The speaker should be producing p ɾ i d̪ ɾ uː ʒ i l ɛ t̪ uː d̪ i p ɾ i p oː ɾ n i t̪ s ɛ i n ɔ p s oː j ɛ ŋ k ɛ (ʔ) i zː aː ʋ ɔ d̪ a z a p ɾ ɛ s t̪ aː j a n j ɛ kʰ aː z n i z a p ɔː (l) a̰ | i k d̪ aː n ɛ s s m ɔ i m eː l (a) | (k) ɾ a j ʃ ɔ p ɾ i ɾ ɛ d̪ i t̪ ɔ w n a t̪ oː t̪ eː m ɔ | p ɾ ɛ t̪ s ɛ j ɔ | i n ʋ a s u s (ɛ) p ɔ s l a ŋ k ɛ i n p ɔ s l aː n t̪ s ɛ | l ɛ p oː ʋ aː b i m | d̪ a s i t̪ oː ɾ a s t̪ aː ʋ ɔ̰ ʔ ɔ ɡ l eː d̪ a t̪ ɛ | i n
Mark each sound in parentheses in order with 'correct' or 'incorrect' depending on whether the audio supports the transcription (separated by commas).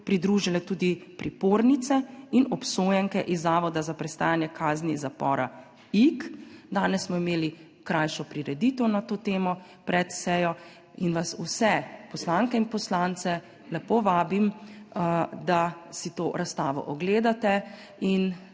correct, incorrect, incorrect, correct, correct